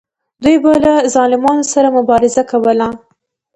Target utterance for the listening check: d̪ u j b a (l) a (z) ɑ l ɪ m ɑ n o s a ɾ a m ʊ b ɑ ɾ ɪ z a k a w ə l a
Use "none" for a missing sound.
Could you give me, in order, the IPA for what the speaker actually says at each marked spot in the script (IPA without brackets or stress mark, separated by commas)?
l, z